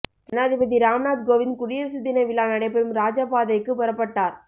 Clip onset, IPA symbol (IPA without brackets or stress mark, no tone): d͡ʒ